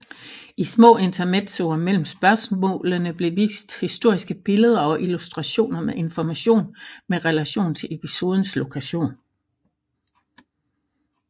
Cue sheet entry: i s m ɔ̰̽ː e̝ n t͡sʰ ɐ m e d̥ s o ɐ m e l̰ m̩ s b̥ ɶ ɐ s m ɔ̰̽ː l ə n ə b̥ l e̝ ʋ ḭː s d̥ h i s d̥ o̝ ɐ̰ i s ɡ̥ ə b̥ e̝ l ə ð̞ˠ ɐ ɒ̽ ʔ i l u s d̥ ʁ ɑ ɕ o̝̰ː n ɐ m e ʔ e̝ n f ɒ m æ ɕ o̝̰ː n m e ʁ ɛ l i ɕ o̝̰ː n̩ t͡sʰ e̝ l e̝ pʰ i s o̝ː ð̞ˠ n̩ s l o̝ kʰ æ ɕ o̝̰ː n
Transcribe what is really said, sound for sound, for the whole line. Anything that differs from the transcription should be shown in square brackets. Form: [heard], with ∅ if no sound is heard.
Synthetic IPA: i s m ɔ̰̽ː e̝ n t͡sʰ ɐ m e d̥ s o ɐ m e l̰ m̩ s b̥ ɶ ɐ s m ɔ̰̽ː l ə n ə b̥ l e̝ ʋ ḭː s d̥ h i s d̥ o̝ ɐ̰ i s ɡ̥ ə b̥ e̝ l ə ð̞ˠ ɐ ɒ̽ ʔ i l u s d̥ ʁ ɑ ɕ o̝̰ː n ɐ m e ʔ e̝ n f ɒ m æ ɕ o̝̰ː n m e ʁ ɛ l [æ] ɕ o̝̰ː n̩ t͡sʰ e̝ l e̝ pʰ i s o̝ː ð̞ˠ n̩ s l o̝ kʰ æ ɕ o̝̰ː n